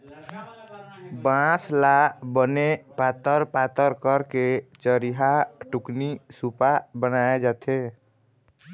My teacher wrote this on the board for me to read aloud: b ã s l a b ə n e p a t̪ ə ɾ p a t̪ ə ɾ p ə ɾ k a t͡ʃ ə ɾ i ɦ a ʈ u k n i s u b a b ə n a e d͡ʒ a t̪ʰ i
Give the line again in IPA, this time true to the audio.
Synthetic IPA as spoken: b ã s l a b ə n e p a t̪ ə ɾ p a t̪ ə ɾ k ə ɾ k e t͡ʃ ə ɾ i ɦ a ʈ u k n i s u p a b ə n a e d͡ʒ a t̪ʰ e